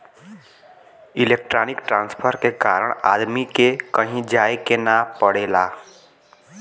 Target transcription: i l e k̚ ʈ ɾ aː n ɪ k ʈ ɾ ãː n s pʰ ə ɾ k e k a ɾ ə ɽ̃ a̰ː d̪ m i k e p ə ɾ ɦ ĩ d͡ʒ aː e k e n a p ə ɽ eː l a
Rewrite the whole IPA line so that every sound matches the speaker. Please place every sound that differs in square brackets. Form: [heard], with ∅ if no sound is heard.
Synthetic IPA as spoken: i l e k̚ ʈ ɾ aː n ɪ k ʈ ɾ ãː n s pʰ ə ɾ k e k a ɾ ə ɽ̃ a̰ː d̪ m i k e [k] ə [∅] ɦ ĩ d͡ʒ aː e k e n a p ə ɽ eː l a